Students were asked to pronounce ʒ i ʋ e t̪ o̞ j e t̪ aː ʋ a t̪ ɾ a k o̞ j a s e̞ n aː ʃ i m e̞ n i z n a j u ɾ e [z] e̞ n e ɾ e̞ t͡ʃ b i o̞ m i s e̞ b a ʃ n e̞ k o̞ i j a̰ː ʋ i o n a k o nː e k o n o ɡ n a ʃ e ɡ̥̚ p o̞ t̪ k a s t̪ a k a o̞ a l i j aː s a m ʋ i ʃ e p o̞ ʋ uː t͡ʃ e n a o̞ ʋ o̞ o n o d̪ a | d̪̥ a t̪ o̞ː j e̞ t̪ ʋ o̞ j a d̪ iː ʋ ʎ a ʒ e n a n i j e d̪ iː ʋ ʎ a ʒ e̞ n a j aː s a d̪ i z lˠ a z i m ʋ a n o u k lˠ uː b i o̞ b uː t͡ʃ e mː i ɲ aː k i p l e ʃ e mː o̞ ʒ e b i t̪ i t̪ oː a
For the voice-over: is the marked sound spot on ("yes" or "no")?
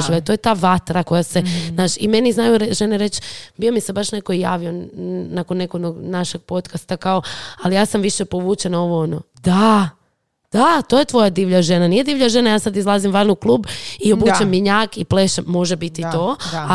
no